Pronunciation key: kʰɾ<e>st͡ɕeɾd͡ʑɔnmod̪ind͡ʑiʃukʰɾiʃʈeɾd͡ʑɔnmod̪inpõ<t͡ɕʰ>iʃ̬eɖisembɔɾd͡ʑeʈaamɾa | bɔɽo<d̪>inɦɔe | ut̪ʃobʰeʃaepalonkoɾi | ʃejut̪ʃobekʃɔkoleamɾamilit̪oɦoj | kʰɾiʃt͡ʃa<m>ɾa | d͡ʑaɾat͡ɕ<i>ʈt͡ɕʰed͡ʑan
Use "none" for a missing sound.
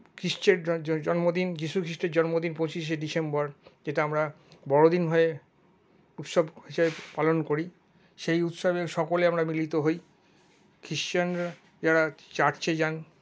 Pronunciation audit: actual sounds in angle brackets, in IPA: i, t͡ɕ, d̪, n, a

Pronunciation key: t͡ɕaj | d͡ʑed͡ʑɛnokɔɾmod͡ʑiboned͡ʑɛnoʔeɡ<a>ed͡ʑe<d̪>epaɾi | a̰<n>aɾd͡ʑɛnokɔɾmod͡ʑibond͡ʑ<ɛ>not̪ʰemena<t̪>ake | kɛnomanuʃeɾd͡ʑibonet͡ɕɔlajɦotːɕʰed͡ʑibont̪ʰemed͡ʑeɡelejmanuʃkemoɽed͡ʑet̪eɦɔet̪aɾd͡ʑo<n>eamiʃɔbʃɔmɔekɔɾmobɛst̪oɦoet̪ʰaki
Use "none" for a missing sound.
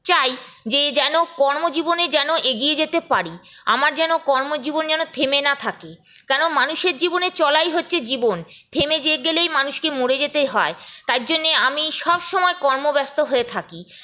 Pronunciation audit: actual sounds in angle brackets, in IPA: i, t̪, m, ɛ, t̪ʰ, nː

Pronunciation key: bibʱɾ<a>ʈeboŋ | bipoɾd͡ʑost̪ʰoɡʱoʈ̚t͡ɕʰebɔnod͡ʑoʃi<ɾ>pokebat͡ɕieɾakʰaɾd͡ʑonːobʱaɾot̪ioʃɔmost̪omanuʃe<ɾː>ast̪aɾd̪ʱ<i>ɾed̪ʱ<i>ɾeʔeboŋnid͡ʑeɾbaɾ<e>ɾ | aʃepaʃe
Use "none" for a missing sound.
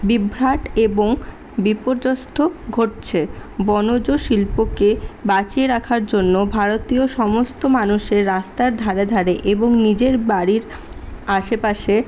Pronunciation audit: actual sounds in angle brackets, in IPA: a, l, ɾː, a, a, i

